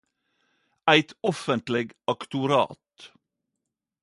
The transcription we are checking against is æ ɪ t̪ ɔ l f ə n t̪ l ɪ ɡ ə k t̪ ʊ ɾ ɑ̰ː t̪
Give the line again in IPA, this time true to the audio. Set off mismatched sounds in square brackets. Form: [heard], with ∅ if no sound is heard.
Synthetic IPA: æ ɪ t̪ ɔ [∅] f ə n t̪ l ɪ ɡ [ɑ] k t̪ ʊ ɾ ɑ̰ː t̪